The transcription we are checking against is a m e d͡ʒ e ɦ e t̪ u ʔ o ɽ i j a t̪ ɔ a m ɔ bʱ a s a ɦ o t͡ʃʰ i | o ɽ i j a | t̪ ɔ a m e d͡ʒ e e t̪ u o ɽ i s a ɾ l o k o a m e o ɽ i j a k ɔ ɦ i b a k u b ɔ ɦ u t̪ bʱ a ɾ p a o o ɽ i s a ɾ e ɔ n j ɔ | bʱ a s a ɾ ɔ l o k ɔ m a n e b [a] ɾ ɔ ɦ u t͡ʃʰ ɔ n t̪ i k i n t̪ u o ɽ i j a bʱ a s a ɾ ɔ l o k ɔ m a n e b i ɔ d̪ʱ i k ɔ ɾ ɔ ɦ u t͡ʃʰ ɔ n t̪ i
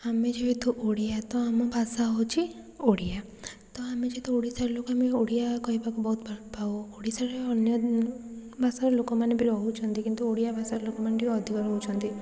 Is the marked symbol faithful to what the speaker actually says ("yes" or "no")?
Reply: no